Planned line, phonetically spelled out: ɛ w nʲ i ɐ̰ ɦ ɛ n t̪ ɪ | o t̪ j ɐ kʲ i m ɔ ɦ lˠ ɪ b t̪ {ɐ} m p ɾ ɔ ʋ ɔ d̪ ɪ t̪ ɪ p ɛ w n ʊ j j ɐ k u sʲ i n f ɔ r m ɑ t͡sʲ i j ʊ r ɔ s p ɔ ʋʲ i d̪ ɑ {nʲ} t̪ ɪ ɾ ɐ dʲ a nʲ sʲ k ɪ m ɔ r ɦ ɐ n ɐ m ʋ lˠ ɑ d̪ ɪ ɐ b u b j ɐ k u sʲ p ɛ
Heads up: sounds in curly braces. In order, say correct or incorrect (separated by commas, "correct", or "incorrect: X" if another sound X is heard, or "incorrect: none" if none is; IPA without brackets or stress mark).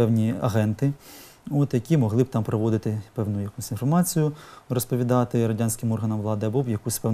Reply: incorrect: ɑ, incorrect: none